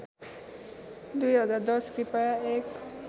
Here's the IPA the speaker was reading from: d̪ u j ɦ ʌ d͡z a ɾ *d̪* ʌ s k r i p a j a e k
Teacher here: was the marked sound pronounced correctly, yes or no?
yes